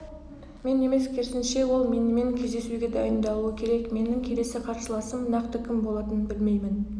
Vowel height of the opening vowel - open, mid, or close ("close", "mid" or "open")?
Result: mid